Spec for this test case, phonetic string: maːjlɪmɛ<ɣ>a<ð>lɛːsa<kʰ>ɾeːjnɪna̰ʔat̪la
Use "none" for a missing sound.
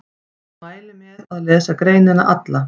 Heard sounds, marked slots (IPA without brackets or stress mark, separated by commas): ð, ð, k